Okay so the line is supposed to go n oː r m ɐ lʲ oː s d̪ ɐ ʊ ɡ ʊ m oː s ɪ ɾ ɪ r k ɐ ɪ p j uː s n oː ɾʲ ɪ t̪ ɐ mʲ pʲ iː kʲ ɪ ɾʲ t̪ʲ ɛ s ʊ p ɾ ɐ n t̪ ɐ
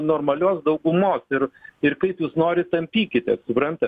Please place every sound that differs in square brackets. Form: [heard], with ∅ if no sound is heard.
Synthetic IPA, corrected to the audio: n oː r m ɐ lʲ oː s d̪ ɐ ʊ ɡ ʊ m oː s ɪ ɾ ɪ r k ɐ ɪ p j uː s n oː ɾʲ ɪ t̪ ɐ mʲ pʲ iː kʲ ɪ [∅] t̪ʲ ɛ s ʊ p ɾ ɐ n t̪ ɐ